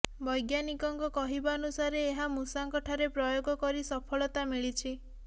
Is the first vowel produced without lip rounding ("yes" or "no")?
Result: no